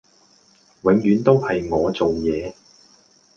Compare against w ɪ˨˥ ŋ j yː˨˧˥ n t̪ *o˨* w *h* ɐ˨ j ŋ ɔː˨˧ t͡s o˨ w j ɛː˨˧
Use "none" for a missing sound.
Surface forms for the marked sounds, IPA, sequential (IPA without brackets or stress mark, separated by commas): o˥, h